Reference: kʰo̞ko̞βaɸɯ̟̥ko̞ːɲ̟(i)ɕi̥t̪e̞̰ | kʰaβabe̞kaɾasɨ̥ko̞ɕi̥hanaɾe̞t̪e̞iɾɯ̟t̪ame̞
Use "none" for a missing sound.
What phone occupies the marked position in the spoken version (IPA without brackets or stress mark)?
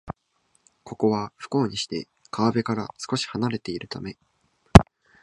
i